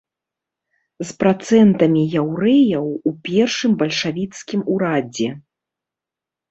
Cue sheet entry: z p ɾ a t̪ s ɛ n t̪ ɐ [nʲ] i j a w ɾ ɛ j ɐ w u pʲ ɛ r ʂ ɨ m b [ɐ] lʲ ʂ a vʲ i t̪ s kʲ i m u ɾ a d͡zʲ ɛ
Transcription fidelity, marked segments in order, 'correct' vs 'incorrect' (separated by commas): incorrect, correct